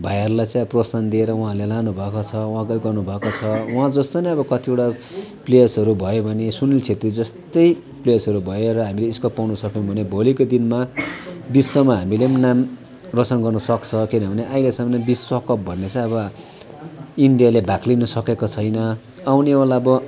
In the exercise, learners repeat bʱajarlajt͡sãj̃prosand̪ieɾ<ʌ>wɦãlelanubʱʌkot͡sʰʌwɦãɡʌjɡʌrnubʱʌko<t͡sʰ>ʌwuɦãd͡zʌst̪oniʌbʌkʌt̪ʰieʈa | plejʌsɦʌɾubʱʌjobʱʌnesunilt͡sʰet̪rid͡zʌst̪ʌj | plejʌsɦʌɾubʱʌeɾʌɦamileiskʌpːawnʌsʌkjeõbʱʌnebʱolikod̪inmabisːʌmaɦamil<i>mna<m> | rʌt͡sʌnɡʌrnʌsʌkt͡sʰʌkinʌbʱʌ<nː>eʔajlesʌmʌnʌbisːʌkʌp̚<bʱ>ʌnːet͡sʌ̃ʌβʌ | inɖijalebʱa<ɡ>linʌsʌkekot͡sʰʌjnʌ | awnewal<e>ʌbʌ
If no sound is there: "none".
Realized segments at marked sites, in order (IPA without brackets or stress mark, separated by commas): ʌ, t͡sʰ, e, m, n, bʱ, k, a